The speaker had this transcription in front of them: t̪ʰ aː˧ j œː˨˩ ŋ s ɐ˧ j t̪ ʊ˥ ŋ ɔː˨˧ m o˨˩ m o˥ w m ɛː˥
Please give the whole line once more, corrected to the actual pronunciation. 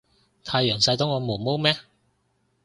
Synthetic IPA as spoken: t̪ʰ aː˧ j œː˨˩ ŋ s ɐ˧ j t̪ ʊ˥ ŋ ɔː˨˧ m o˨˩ m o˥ w m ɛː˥